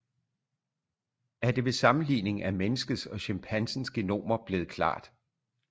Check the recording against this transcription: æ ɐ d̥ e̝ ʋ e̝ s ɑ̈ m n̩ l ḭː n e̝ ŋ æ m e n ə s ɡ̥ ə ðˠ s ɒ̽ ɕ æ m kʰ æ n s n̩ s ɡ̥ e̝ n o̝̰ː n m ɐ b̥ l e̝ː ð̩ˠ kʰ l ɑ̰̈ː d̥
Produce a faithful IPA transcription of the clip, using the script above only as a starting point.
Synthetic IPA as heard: æ ɐ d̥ e̝ ʋ e̝ s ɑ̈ m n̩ l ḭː n e̝ ŋ æ m e n ə s ɡ̥ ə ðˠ s ɒ̽ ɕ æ m pʰ æ n s n̩ s ɡ̥ e̝ n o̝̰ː m ɐ b̥ l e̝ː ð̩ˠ kʰ l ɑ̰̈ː d̥